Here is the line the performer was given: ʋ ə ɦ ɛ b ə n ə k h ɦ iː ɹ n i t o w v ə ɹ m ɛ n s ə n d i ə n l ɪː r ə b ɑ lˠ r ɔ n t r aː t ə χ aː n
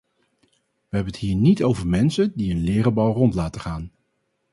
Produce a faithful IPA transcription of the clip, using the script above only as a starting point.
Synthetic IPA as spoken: ʋ ə ɦ ɛ b ə n ə t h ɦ iː ɹ n i t o w v ə ɹ m ɛ n s ə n d i ə n l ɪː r ə b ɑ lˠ r ɔ n t l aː t ə χ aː n